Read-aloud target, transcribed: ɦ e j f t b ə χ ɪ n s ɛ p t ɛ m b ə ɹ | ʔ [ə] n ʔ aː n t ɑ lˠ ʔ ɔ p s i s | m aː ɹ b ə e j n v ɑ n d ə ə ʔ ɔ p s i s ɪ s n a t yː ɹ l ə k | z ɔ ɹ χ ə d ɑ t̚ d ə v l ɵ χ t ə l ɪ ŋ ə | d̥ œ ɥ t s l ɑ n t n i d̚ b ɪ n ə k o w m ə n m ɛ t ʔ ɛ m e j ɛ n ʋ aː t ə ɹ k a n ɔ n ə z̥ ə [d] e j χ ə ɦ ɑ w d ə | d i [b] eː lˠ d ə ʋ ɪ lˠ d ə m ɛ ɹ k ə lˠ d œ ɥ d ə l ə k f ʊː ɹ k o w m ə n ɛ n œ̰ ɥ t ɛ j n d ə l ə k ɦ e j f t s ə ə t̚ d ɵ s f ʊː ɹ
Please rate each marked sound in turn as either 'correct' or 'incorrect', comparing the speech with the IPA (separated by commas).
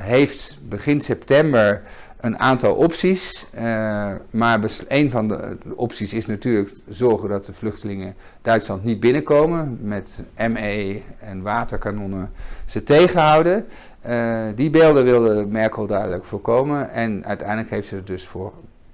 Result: correct, incorrect, correct